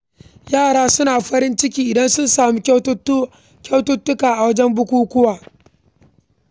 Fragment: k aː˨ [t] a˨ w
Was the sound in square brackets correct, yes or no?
no